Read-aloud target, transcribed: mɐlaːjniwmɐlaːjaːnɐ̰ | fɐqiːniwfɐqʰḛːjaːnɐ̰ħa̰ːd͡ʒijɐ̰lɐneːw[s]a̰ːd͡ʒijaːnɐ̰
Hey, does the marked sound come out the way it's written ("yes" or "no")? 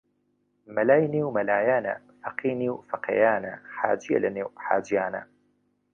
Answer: no